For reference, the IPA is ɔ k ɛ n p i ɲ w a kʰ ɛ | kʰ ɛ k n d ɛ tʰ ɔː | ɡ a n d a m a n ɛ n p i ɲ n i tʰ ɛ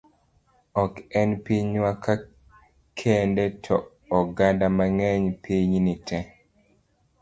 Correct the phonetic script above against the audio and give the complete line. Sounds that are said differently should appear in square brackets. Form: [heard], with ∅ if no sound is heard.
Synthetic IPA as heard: ɔ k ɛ n p i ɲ w a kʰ [a] | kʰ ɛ [∅] n d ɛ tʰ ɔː | ɡ a n d a m a [ŋ] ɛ [ɲ] p i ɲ n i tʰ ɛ

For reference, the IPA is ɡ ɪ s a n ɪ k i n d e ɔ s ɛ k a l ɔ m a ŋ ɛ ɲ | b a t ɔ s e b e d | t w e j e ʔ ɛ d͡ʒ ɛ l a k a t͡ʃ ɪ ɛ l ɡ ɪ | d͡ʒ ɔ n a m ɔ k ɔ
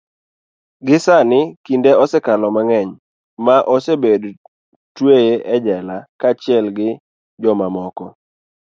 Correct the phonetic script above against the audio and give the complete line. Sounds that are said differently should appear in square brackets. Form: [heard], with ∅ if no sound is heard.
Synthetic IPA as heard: ɡ ɪ s a n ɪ k i n d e ɔ s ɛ k a l ɔ m a ŋ ɛ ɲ | [m] a [ʔ] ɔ s e b e d | t w e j e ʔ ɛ d͡ʒ ɛ l a k a t͡ʃ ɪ ɛ l ɡ ɪ | d͡ʒ ɔ [m] a m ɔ k ɔ

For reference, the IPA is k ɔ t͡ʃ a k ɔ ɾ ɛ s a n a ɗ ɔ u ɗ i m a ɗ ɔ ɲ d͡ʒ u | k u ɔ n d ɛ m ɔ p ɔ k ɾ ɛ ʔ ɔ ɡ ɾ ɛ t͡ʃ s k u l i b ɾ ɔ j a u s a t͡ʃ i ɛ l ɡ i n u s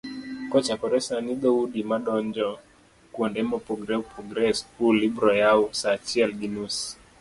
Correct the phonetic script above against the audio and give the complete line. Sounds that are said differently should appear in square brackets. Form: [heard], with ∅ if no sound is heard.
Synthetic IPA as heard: k ɔ t͡ʃ a k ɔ ɾ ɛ s a n [i] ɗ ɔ u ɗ i m a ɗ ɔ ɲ d͡ʒ [ɔ] | k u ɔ n d ɛ m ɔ p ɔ [ɡ] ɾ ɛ [p] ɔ ɡ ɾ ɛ [∅] s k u l i b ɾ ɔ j a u s a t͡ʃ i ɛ l ɡ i n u s

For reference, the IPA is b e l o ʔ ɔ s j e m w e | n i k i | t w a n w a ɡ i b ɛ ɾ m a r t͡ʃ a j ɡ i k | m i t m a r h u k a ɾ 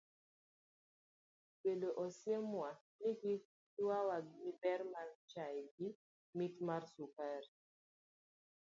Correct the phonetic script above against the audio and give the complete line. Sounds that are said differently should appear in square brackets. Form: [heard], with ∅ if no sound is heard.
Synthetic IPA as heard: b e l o ʔ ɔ s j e m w [a] | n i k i | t w a [∅] w a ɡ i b ɛ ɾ m a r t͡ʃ a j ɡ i [∅] | m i t m a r [s] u k a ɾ

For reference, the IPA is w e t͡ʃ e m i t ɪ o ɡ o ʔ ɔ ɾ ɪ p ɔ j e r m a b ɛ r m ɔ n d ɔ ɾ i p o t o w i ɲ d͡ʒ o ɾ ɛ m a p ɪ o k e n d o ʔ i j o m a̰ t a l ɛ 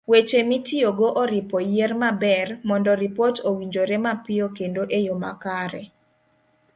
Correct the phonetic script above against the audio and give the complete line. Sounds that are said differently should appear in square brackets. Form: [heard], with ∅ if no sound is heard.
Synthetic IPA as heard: w e t͡ʃ e m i t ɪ o ɡ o ʔ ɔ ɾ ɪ p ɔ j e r m a b ɛ r m ɔ n d ɔ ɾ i p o t o w i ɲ d͡ʒ o ɾ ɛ m a p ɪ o k e n d o ʔ [e] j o m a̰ [k] a [ɾ] ɛ

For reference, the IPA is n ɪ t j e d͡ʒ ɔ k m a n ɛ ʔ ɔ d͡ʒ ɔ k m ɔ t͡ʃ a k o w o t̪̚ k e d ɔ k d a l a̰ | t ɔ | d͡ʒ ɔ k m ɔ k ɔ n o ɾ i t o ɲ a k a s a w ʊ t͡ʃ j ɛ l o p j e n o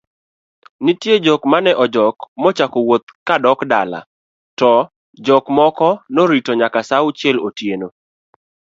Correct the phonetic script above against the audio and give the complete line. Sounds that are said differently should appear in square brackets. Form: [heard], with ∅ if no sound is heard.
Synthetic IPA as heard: n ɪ t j e d͡ʒ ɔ k m a n ɛ ʔ ɔ d͡ʒ ɔ k m ɔ t͡ʃ a k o w o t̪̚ k [a] d ɔ k d a l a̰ | t ɔ | d͡ʒ ɔ k m ɔ k ɔ n o ɾ i t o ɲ a k a s a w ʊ t͡ʃ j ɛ l o [t] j e n o

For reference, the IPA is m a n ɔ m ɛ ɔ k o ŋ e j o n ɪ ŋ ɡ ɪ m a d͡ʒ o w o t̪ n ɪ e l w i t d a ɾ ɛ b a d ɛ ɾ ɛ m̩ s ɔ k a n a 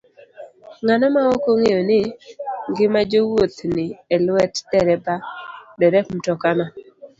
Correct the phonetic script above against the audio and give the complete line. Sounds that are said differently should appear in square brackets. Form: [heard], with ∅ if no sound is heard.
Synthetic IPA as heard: [ŋ] a n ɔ m [a] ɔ k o ŋ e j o n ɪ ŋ ɡ ɪ m a d͡ʒ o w o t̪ n ɪ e l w [ɛ] t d [ɛ] ɾ ɛ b a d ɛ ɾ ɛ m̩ [t] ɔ k a n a

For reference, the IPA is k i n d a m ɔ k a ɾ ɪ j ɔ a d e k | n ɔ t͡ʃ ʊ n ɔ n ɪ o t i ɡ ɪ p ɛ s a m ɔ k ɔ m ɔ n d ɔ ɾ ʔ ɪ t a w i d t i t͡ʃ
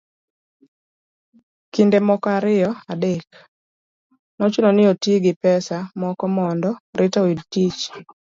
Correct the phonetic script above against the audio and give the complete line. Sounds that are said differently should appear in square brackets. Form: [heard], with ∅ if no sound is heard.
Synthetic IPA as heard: k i n d [e] m ɔ k a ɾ ɪ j ɔ a d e k | n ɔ t͡ʃ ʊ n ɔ n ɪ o t i ɡ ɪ p ɛ s a m ɔ k ɔ m ɔ n d ɔ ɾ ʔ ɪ t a w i d t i t͡ʃ

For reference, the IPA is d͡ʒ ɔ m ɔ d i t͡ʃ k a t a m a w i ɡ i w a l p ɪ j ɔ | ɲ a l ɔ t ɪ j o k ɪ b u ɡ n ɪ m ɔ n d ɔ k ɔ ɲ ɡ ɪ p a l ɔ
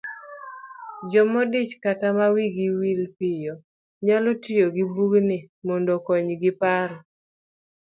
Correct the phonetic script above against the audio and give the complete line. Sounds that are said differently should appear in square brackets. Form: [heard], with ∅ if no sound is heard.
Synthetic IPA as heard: d͡ʒ ɔ m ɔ d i t͡ʃ k a t a m a w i ɡ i w [i] l p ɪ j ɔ | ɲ a l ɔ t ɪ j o [ɡ] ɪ b u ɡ n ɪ m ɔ n d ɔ k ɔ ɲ ɡ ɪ p a [ɾ] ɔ

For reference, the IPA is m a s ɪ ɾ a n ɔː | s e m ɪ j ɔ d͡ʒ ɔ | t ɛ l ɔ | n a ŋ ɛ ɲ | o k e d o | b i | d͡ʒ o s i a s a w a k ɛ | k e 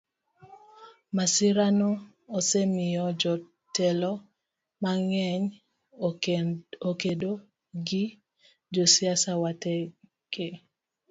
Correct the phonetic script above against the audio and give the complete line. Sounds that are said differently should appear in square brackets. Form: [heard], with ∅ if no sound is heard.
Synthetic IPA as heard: m a s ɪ ɾ a n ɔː | s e m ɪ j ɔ d͡ʒ ɔ | t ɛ l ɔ | [m] a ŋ ɛ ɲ | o k e d o | [ɡ] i | d͡ʒ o s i a s a w a [t] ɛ | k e

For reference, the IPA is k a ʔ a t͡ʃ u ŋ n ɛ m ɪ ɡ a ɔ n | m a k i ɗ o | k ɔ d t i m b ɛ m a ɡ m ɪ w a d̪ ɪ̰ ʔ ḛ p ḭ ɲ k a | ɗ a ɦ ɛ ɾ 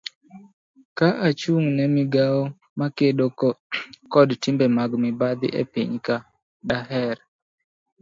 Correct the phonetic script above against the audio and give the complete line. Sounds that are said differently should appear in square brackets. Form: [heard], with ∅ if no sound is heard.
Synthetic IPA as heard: k a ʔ a t͡ʃ u ŋ n ɛ m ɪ ɡ a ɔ [∅] | m a k [e] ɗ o | k ɔ d t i m b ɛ m a ɡ m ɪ [b] a d̪ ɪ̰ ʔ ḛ p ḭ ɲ k a | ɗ a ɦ ɛ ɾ

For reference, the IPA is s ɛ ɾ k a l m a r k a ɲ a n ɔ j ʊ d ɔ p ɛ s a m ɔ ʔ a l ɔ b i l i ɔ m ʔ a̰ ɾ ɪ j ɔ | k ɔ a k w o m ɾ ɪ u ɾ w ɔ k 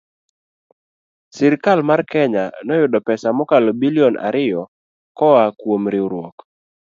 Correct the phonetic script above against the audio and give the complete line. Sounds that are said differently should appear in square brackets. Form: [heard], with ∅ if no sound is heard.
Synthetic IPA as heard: s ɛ ɾ k a l m a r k [ɛ] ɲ a n ɔ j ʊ d ɔ p ɛ s a m ɔ [k] a l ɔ b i l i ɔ [n] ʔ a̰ ɾ ɪ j ɔ | k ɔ a k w o m ɾ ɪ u ɾ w ɔ k

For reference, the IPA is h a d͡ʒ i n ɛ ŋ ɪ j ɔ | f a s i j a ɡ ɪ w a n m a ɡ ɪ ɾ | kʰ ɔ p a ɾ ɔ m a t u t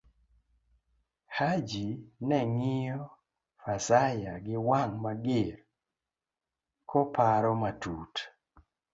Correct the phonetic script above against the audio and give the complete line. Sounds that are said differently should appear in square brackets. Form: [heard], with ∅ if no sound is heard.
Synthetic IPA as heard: h a d͡ʒ i n ɛ ŋ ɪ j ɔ | f a s [a] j a ɡ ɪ w a [ŋ] m a ɡ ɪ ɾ | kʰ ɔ p a ɾ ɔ m a t u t

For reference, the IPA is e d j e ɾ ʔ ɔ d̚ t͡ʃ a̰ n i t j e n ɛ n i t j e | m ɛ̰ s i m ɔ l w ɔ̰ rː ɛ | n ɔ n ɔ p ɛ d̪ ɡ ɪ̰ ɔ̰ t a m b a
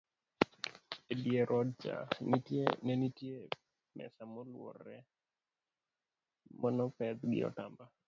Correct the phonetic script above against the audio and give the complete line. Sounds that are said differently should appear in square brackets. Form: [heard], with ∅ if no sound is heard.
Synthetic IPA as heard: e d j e ɾ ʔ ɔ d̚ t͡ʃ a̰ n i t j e n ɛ n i t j e | m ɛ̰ s [a] m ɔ l w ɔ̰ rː ɛ | [m] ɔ n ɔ p ɛ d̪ ɡ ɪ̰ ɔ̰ t a m b a

